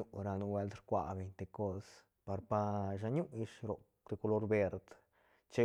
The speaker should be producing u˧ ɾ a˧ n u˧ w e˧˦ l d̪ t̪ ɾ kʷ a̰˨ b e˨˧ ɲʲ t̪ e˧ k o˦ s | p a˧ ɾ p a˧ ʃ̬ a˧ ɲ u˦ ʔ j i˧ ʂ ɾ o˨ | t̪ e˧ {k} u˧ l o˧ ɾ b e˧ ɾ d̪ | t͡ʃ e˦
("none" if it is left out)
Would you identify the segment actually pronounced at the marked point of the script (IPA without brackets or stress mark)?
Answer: k